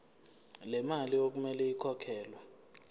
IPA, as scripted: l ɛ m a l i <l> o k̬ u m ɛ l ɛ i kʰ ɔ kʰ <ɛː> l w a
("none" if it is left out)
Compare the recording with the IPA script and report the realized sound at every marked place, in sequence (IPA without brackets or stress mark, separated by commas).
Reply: none, ɛː